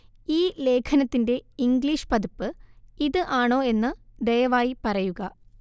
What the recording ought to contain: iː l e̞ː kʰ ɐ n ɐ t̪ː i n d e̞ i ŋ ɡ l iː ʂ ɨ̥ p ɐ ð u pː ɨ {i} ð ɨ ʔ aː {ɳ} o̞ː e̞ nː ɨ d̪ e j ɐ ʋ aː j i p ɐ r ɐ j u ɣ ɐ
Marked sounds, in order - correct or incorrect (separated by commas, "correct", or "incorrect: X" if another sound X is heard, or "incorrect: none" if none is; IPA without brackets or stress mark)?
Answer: correct, correct